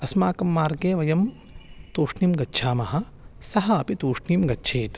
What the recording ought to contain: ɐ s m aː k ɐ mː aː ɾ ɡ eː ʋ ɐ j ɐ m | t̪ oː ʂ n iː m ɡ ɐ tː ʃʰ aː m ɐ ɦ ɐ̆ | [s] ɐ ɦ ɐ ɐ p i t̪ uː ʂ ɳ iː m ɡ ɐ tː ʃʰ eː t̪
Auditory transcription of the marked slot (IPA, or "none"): s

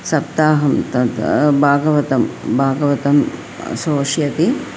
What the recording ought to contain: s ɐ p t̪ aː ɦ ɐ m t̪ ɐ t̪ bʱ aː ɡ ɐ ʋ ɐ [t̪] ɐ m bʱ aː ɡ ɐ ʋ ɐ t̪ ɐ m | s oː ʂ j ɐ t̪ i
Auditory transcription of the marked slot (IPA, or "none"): t̪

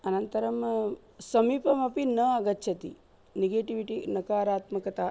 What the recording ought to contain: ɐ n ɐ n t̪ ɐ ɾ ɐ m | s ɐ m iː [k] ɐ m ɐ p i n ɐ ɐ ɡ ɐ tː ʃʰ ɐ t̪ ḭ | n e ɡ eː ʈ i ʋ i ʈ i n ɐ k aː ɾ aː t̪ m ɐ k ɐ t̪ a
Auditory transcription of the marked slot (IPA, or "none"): p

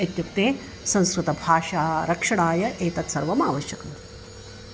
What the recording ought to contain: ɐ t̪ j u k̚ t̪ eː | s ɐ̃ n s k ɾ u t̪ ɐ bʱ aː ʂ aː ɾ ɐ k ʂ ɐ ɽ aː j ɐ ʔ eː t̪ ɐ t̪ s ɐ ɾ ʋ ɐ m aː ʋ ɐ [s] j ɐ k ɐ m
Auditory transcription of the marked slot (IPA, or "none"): ʃ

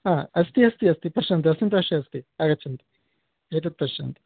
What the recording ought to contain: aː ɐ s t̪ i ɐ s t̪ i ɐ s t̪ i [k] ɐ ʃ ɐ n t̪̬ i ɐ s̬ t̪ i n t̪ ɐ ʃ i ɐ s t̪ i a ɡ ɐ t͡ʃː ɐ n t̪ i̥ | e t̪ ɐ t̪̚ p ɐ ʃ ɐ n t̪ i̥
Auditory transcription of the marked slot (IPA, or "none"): p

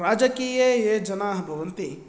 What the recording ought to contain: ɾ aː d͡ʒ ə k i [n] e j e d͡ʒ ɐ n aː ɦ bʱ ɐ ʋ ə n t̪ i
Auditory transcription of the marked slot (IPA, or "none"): none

